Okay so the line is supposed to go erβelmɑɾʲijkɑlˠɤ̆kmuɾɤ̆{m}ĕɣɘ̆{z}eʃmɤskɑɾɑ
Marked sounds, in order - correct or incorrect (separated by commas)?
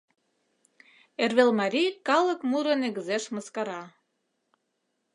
incorrect, correct